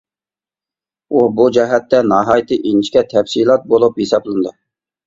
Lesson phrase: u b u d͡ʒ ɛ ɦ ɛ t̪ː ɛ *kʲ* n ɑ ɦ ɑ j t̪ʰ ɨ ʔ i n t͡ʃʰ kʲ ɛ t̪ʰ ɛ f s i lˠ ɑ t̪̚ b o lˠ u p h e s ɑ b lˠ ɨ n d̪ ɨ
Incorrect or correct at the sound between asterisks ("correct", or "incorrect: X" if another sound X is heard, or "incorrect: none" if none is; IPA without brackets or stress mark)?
incorrect: none